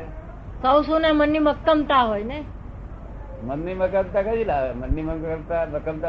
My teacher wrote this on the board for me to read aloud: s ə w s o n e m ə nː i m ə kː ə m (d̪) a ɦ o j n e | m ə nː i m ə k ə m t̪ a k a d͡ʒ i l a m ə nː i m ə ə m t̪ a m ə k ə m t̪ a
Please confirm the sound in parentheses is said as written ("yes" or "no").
no